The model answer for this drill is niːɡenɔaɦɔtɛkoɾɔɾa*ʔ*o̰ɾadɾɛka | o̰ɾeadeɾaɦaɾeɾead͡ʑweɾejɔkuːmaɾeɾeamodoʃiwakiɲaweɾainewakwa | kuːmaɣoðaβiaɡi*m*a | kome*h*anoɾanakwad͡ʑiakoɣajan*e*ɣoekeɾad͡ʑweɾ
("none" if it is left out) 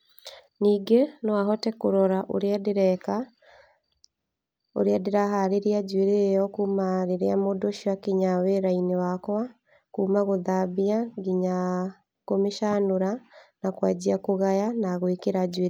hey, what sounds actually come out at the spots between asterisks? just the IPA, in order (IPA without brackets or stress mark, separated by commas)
ʔ, ɲ, ʃ, a